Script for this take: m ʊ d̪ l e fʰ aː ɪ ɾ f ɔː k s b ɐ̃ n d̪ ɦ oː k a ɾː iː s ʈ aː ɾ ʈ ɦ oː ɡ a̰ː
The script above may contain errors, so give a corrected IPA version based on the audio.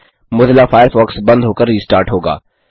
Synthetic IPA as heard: m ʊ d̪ l a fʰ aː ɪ ɾ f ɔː k s b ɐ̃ n d̪ ɦ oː k ə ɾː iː s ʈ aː ɾ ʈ ɦ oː ɡ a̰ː